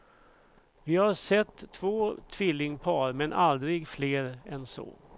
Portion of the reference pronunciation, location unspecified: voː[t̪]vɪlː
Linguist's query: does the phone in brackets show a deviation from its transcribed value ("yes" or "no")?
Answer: yes